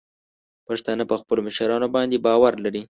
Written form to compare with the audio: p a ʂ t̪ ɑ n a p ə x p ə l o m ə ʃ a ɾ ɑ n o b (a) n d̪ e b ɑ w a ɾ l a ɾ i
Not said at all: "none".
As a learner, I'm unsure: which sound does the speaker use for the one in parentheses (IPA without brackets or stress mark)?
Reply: ɑ